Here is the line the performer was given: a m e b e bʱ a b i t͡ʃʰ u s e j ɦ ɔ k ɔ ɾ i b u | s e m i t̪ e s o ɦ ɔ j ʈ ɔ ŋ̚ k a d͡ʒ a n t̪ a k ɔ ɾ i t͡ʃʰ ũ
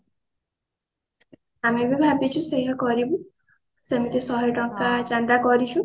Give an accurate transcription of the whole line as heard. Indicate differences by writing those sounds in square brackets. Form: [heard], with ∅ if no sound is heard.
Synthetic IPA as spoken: a m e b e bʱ a b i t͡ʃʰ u s e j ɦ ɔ k ɔ ɾ i b u | s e m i t̪ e s [ɔ] ɦ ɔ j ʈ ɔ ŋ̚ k a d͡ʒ a n [d̪] a k ɔ ɾ i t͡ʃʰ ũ